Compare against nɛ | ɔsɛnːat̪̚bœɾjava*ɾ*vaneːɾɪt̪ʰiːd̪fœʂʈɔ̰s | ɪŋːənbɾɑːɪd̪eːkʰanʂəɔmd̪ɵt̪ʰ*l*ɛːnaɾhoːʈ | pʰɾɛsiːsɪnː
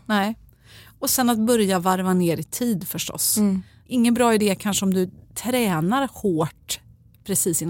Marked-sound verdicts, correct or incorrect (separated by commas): correct, incorrect